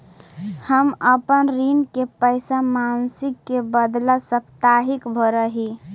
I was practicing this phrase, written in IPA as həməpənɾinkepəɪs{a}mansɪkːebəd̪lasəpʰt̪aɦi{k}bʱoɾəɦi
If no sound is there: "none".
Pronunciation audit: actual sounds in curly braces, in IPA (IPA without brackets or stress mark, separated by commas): a, k